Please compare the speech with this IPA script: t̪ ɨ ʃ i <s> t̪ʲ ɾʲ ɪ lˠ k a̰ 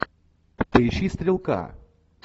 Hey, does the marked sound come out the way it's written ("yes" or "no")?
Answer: yes